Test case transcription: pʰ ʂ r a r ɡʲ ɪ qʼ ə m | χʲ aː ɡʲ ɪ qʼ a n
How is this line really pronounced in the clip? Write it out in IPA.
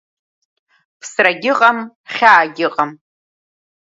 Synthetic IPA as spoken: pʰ s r a ɡʲ ɪ qʼ a m | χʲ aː ɡʲ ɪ qʼ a m